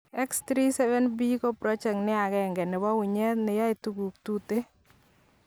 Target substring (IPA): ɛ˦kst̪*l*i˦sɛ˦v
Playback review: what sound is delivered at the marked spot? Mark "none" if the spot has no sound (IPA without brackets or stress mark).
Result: ɾ